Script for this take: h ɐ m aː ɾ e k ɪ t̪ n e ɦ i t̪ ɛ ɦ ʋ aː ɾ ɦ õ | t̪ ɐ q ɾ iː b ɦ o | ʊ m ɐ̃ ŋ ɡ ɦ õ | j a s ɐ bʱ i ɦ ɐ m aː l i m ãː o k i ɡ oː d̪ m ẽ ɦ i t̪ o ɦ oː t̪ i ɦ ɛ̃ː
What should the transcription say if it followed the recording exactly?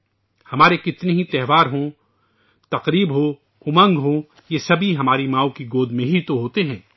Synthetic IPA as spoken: h ɐ m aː ɾ e k ɪ t̪ n e ɦ i t̪ ɛ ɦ ʋ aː ɾ ɦ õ | t̪ ɐ q ɾ iː b ɦ o | ʊ m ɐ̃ ŋ ɡ ɦ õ | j e s ɐ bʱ i ɦ ɐ m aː ɾ i m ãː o k i ɡ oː d̪ m ẽ ɦ i t̪ o ɦ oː t̪ e ɦ ɛ̃ː

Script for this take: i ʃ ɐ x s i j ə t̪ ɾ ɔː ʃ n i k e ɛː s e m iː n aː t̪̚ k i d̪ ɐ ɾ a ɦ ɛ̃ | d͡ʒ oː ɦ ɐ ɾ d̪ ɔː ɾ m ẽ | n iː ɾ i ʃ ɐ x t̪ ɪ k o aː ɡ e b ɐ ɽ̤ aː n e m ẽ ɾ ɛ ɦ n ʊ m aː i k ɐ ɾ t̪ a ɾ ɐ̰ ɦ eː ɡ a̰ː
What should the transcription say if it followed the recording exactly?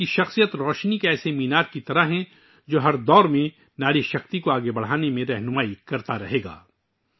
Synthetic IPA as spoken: i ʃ ɐ x s i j ə t̪ ɾ ɔː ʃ n i k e ɛː s e m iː n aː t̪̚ k i t̪ ɐ ɾ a ɦ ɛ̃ | d͡ʒ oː ɦ ɐ ɾ d̪ ɔː ɾ m ẽ | n aː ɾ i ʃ ɐ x t̪ i k o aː ɡ e b ɐ ɽ̤ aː n e m ẽ ɾ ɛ ɦ n ʊ m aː i k ɐ ɾ t̪ a ɾ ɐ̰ ɦ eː ɡ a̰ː

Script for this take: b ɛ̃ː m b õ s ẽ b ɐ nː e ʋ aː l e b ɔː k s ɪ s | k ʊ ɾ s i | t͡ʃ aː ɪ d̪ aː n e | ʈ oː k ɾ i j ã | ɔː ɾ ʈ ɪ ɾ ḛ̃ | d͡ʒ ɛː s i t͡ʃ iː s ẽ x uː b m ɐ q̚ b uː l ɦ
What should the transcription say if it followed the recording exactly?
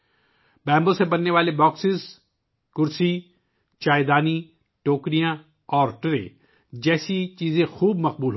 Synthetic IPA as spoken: b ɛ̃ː m b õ s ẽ b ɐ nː e ʋ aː l e b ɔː k s ɪ z | k ʊ ɾ s i | t͡ʃ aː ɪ d̪ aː n i | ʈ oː k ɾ i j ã | ɔː ɾ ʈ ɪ ɾ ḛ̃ | d͡ʒ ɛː s i t͡ʃ iː z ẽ x uː b m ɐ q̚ b uː l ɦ

